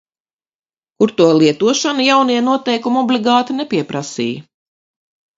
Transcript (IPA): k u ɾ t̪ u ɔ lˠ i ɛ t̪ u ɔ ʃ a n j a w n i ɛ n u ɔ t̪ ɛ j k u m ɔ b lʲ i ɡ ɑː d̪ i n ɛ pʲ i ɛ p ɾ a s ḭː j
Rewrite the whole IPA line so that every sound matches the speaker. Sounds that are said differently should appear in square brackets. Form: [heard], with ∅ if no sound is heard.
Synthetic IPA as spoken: k u ɾ t̪ u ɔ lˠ i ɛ t̪ u ɔ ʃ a n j a w n i ɛ n u ɔ t̪ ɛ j k u m ɔ b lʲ i ɡ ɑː [t̪] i n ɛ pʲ i ɛ p ɾ a s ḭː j